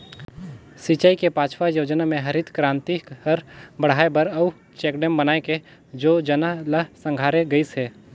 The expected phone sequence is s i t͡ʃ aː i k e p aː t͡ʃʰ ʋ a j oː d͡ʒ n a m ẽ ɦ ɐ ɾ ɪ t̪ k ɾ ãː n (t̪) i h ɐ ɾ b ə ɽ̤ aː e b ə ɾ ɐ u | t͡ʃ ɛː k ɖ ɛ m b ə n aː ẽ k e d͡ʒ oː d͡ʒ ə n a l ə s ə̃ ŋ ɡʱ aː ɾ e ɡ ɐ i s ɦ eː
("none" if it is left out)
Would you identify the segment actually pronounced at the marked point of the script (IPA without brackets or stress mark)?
t̪